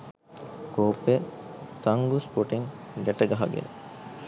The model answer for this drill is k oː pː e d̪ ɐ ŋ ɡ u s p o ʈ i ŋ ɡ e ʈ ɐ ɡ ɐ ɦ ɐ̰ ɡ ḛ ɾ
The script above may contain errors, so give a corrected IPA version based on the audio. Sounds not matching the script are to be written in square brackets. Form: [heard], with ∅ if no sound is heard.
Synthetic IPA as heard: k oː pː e [t̪] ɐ ŋ ɡ u s p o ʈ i ŋ ɡ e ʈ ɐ ɡ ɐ ɦ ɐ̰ ɡ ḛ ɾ